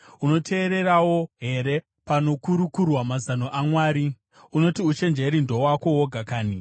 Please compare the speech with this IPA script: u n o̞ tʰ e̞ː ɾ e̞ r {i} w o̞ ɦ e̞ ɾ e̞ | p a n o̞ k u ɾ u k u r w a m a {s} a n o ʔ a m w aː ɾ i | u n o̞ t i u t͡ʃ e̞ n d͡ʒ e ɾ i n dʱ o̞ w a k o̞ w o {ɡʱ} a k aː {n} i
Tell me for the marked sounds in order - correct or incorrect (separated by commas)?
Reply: incorrect, incorrect, correct, correct